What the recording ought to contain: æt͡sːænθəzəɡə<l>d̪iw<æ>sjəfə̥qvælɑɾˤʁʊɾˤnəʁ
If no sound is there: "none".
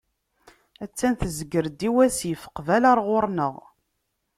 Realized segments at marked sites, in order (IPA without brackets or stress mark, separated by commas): ɾ, æ